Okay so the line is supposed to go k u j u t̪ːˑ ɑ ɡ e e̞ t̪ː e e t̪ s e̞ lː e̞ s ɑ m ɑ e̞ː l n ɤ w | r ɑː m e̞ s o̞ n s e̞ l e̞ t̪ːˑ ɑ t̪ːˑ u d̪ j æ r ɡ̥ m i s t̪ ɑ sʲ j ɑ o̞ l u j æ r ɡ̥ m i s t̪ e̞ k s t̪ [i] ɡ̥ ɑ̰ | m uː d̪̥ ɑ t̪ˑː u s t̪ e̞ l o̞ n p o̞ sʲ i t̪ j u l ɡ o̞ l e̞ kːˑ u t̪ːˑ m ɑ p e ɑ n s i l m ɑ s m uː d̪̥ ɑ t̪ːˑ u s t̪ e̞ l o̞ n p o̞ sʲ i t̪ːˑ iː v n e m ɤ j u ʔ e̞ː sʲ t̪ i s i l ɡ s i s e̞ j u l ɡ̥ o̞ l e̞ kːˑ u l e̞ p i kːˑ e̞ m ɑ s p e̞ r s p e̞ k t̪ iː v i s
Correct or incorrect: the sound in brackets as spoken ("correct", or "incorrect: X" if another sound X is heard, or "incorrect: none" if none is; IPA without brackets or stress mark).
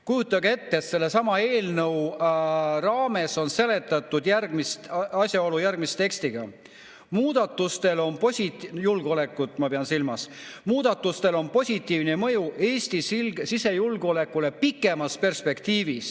correct